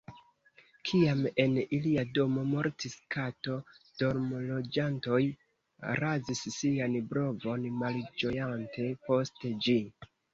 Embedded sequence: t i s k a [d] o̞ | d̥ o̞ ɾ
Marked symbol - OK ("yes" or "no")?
no